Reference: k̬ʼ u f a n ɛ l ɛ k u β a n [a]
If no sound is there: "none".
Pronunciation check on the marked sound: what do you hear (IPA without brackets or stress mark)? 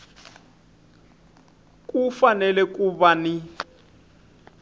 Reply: i